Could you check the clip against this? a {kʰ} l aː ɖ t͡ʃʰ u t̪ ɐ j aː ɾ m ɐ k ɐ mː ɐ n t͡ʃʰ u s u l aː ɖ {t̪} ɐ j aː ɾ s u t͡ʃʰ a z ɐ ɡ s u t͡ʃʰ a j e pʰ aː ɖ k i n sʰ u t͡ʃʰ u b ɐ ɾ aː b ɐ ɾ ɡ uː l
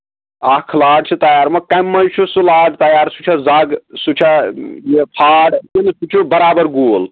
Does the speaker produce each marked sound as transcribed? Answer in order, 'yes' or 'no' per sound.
yes, yes

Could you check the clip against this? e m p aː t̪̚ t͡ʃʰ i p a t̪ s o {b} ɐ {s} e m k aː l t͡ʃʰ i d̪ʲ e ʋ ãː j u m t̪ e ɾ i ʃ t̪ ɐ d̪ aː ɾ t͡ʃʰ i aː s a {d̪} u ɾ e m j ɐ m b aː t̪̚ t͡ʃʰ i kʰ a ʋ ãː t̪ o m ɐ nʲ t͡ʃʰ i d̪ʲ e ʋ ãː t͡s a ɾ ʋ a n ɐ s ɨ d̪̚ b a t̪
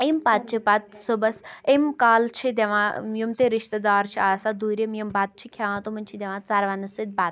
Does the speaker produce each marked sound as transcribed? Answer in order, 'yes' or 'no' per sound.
yes, yes, yes

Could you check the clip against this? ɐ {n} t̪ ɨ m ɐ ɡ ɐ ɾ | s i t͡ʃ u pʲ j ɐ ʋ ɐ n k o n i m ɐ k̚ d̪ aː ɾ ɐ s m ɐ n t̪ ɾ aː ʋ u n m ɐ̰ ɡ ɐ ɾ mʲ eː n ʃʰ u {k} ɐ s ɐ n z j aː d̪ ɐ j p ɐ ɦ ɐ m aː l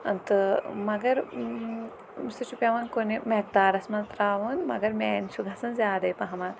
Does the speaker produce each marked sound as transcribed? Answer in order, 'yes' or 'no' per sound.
yes, no

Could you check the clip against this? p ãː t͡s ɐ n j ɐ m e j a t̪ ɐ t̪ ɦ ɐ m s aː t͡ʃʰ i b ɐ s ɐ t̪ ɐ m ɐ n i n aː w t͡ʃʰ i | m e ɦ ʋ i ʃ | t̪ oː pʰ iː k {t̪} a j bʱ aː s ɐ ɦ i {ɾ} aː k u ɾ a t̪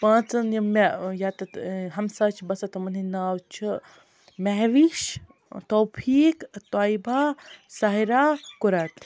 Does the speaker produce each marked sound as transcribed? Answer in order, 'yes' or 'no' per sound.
yes, yes

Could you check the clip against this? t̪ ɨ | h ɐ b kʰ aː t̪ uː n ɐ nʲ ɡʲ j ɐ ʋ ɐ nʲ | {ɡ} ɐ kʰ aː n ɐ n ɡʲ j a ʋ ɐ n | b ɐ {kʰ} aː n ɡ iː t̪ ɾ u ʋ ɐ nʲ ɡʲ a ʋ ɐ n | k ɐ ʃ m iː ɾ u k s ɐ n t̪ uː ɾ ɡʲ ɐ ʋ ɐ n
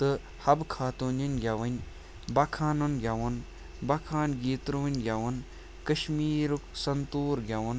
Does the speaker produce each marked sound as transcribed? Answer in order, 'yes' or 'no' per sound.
no, yes

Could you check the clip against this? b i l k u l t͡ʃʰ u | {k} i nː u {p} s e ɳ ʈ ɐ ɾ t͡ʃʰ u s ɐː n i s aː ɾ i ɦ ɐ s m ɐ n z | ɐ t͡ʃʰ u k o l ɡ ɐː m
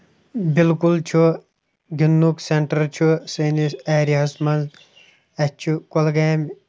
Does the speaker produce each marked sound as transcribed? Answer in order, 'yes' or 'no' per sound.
no, no

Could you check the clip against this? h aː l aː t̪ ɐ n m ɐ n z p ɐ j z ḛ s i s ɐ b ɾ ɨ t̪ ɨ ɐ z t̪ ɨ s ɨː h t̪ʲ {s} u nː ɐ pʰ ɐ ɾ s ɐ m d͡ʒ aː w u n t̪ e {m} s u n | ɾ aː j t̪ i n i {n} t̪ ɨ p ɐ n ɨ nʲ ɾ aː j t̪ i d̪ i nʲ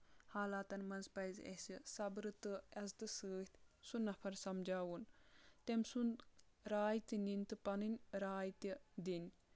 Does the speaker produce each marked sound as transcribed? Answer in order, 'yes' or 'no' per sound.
yes, yes, yes

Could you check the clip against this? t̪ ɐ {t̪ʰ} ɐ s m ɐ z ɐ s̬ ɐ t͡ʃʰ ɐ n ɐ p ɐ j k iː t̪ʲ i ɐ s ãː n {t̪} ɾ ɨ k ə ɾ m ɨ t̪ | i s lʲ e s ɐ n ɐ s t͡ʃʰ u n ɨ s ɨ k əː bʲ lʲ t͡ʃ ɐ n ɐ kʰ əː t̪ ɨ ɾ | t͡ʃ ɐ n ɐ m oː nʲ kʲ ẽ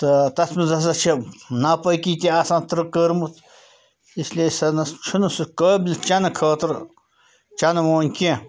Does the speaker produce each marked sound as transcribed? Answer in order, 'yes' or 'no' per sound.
no, yes

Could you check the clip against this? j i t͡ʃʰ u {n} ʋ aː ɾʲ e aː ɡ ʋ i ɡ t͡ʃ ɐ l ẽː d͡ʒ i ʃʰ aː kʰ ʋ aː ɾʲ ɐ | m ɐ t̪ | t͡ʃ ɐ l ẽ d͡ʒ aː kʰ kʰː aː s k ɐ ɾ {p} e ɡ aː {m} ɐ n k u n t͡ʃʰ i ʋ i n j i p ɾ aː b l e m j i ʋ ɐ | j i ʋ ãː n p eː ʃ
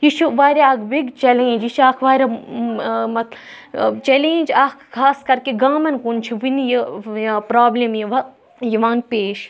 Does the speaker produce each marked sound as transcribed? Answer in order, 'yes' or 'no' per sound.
no, no, yes

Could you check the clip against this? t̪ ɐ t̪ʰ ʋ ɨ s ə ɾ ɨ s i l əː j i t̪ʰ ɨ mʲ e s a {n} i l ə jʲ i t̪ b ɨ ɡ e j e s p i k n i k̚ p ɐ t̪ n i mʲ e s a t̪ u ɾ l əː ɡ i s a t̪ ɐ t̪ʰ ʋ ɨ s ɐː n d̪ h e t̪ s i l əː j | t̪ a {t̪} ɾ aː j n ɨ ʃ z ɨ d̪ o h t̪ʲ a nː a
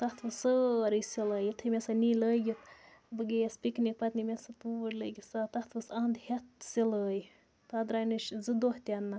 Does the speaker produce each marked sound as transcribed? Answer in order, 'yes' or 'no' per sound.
yes, no

